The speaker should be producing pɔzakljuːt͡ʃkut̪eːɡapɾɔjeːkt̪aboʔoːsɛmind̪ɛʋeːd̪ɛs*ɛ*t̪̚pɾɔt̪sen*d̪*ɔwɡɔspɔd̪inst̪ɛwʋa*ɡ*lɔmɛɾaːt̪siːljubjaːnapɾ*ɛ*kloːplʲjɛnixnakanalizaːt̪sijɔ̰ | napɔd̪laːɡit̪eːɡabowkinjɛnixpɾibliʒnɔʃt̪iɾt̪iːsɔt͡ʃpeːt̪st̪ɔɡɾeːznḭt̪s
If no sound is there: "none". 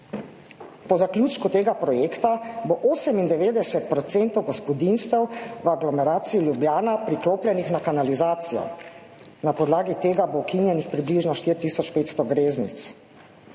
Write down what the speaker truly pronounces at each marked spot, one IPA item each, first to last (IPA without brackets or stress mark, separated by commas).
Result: ɛ, t̪, ɡ, i